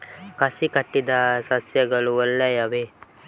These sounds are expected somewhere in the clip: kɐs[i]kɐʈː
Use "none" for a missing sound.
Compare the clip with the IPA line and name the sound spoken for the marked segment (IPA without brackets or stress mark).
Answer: i